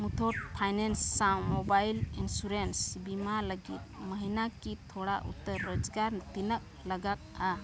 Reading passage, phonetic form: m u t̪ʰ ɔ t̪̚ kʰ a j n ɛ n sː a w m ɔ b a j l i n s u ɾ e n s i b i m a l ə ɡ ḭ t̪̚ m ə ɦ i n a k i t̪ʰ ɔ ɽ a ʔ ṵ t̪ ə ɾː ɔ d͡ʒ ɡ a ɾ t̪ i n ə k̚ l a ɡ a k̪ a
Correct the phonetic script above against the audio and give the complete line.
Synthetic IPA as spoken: m u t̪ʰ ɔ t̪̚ pʰ a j n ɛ n sː a w m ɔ b a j l i n s u ɾ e n s i b i m a l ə ɡ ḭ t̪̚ m ə ɦ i n a k i t̪ʰ ɔ ɽ a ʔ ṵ t̪ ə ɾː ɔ d͡ʒ ɡ a ɾ t̪ i n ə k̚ l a ɡ a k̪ a